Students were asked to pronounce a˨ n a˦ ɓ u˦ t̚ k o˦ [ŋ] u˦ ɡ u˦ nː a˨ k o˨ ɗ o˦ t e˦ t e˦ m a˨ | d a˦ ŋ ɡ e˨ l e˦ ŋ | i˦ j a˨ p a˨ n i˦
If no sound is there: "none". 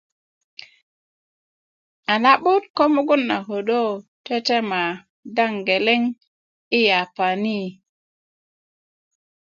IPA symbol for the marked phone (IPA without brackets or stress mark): m